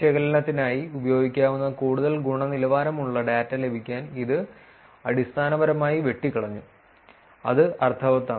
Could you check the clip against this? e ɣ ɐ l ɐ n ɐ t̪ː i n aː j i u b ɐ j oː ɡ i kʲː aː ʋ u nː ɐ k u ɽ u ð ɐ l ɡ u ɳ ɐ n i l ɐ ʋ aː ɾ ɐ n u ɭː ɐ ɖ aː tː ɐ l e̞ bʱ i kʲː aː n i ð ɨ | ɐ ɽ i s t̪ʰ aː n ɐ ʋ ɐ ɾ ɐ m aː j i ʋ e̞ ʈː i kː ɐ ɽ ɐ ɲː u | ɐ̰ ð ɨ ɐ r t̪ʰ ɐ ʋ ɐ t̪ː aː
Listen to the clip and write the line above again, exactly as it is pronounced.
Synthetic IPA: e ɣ ɐ l ɐ n ɐ t̪ː i n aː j i u b ɐ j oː ɡ i kʲː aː ʋ u nː ɐ k uː ɽ u ð ɐ l ɡ u ɳ ɐ n i l ɐ ʋ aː ɾ ɐ m u ɭː ɐ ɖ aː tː ɐ l e̞ bʱ i kʲː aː n i ð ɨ | ɐ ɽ i s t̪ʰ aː n ɐ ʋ ɐ ɾ ɐ m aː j i ʋ e̞ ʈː i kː ɐ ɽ ɐ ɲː u | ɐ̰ ð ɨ ɐ r t̪ʰ ɐ ʋ ɐ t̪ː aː